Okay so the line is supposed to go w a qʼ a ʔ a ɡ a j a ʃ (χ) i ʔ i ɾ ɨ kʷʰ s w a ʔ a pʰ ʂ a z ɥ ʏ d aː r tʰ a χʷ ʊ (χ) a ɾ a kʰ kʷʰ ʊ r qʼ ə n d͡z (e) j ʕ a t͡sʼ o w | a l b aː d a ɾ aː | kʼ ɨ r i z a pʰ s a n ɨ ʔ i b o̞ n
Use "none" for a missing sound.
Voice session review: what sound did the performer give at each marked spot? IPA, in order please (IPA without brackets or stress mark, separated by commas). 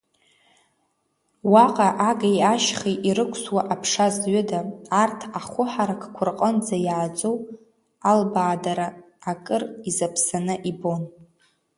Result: χ, ħ, a